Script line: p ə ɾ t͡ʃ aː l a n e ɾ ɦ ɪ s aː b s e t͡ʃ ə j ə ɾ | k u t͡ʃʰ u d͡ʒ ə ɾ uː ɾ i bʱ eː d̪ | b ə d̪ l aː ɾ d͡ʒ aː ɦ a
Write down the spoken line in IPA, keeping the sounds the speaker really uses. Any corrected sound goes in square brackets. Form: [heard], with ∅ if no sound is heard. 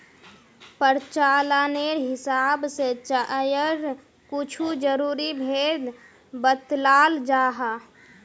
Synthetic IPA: p ə ɾ t͡ʃ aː l a n e ɾ ɦ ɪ s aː b s e t͡ʃ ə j ə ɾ | k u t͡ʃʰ u d͡ʒ ə ɾ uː ɾ i bʱ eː d̪ | b ə [t̪] l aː [l] d͡ʒ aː ɦ a